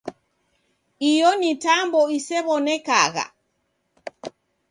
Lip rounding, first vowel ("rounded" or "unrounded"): unrounded